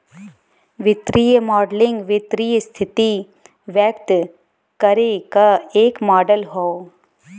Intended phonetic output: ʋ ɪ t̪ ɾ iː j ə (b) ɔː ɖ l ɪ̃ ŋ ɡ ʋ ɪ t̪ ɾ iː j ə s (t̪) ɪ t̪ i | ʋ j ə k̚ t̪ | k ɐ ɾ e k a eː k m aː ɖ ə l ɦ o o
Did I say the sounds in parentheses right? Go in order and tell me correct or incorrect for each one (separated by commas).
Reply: incorrect, incorrect